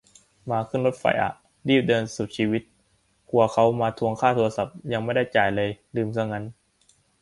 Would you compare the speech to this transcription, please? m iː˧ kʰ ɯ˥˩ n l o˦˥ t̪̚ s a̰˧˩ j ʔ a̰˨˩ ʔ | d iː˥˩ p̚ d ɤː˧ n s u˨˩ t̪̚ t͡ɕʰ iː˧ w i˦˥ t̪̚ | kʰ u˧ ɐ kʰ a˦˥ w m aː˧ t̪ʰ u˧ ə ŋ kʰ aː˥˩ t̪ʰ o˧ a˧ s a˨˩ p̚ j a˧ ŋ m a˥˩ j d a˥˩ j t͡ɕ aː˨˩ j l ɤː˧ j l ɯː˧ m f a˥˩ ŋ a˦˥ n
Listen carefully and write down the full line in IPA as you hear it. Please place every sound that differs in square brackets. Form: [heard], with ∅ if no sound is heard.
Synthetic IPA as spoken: m [aː˧] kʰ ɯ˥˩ n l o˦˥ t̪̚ [f] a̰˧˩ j ʔ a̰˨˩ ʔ | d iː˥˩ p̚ d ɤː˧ n s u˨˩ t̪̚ t͡ɕʰ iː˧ w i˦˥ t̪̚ | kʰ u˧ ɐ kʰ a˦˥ w m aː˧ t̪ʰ u˧ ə ŋ kʰ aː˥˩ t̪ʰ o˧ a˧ s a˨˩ p̚ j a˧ ŋ m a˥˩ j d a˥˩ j t͡ɕ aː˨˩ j l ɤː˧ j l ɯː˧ m [s] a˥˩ ŋ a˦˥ n